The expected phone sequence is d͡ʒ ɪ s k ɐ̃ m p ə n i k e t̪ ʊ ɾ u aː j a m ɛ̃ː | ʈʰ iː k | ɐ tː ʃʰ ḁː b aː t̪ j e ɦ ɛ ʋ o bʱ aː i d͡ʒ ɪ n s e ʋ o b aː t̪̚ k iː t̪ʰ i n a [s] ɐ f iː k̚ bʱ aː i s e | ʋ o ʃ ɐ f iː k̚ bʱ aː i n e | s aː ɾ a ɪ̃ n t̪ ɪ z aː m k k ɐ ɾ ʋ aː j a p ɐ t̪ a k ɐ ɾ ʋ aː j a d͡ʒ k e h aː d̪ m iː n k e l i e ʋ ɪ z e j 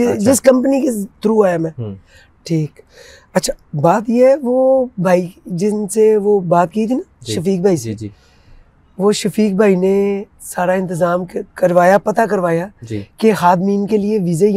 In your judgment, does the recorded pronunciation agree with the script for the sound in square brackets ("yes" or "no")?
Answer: no